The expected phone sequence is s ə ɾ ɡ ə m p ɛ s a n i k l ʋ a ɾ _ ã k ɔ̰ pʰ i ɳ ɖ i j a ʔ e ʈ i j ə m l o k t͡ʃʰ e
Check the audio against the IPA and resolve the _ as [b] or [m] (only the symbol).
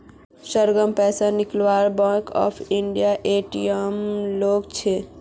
b